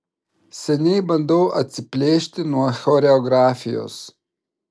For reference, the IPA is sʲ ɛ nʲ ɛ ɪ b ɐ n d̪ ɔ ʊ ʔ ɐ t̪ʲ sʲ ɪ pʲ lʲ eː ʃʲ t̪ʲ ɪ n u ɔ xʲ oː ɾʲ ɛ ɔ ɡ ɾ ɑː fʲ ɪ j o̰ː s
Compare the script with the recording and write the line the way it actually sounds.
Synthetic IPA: sʲ ɛ nʲ ɛ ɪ b ɐ n d̪ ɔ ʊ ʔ ɐ t̪ʲ sʲ ɪ pʲ lʲ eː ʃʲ t̪ʲ ɪ n u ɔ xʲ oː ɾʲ ɛ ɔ ɡ ɾ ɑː fʲ ɪ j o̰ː s